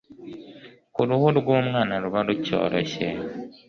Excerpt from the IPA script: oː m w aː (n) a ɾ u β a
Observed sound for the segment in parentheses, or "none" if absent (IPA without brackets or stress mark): n